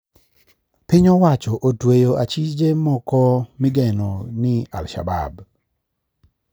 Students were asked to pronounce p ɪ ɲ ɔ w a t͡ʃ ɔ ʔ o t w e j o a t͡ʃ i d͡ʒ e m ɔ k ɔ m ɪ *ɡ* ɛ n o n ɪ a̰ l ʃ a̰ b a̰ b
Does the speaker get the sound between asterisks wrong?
no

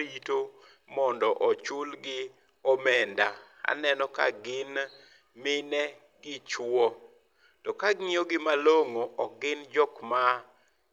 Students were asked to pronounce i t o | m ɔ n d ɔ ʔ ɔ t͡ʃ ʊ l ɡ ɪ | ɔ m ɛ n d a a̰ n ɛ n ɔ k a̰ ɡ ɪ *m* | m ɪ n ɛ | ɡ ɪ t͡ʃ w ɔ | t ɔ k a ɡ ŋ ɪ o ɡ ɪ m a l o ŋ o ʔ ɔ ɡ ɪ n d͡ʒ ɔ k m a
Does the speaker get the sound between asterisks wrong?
yes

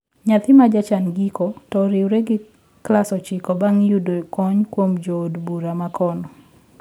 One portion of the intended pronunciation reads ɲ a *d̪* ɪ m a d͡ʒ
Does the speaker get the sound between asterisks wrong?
yes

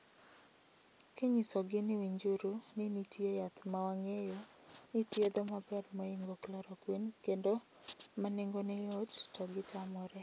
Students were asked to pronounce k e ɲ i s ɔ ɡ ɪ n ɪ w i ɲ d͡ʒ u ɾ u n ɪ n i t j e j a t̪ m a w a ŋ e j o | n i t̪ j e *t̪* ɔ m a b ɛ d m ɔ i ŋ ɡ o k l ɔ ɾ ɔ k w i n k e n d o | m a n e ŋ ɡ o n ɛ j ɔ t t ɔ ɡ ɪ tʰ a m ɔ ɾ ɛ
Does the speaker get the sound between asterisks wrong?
yes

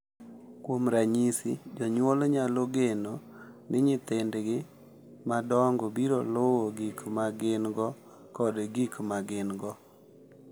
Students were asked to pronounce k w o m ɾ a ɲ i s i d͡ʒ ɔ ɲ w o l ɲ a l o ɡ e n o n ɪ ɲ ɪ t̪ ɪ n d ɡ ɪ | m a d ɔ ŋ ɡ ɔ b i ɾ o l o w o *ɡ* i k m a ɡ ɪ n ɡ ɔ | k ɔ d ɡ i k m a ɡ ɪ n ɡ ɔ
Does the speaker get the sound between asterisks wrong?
no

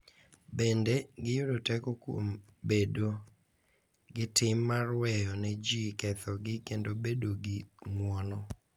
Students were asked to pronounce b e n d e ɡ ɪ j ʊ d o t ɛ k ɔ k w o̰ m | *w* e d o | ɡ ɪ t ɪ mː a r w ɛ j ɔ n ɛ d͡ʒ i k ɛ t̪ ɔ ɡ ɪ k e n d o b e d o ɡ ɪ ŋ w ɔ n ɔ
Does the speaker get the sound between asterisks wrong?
yes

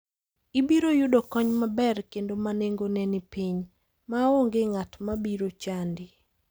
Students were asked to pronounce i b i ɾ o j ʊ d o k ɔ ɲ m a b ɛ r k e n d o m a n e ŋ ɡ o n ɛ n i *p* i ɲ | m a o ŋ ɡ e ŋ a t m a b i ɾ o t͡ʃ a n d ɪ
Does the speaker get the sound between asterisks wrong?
no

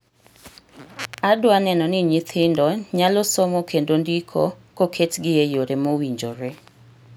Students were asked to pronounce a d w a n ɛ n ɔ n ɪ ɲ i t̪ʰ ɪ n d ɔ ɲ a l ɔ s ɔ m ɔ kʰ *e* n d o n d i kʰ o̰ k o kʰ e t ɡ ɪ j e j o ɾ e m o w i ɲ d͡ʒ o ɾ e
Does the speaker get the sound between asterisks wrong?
no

